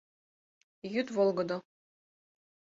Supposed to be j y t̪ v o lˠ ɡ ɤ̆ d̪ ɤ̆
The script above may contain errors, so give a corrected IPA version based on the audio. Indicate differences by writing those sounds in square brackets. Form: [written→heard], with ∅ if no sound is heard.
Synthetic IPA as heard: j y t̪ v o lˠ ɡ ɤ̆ d̪ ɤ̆